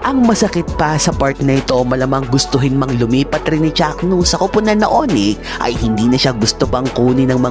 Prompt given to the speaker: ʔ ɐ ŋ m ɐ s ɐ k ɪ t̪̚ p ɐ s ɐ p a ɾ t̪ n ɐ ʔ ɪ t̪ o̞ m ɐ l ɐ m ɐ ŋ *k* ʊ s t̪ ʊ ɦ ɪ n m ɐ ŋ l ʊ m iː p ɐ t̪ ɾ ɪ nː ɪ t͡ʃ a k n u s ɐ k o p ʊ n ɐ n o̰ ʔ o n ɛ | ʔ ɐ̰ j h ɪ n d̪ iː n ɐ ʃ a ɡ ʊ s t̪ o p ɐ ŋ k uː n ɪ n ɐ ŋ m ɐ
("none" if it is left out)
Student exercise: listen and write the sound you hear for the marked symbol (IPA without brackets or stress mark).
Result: ɡ